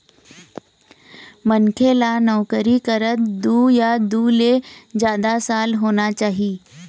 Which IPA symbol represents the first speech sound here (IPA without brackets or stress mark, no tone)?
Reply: m